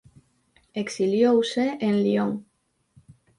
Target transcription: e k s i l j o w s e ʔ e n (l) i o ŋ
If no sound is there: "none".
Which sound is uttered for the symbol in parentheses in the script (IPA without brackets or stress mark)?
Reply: l